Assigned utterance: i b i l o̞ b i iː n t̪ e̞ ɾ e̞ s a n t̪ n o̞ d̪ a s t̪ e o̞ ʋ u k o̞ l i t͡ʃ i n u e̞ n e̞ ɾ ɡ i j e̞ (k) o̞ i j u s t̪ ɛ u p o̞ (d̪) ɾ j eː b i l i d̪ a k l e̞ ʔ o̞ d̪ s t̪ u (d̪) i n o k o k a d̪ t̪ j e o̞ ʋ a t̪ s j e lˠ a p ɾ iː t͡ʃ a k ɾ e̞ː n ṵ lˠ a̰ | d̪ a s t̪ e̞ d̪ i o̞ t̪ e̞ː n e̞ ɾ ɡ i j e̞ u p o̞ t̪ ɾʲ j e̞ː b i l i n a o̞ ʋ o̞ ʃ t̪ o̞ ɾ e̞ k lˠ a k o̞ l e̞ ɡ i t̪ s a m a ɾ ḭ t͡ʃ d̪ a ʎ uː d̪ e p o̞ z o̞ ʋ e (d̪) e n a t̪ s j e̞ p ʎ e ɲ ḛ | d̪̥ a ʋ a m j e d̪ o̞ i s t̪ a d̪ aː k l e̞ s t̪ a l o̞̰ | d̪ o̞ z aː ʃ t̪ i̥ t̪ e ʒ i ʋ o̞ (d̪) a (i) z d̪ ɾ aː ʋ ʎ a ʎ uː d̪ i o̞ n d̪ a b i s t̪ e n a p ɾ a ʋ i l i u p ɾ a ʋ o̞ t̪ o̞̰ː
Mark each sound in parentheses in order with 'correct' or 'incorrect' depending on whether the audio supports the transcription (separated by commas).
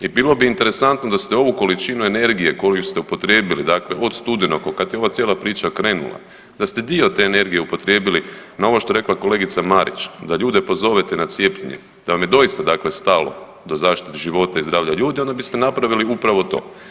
correct, incorrect, correct, incorrect, incorrect, correct